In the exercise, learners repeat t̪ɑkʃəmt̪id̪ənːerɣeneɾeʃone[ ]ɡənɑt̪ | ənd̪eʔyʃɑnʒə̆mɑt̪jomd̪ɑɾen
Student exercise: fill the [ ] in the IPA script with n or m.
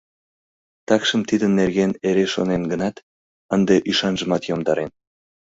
n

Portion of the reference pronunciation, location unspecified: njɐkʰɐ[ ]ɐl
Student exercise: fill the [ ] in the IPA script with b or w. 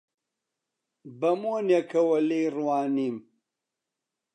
w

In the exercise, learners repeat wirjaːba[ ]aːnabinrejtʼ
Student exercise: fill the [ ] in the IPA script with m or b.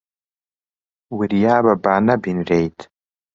b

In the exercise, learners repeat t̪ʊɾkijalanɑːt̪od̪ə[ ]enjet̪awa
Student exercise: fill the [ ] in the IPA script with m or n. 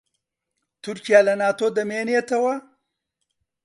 m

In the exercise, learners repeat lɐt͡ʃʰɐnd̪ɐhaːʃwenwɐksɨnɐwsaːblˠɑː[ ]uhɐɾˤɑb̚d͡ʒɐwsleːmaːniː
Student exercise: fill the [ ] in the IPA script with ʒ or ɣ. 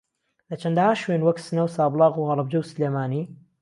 ɣ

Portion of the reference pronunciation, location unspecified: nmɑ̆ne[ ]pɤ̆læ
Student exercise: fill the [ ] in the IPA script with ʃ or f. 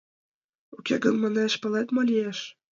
ʃ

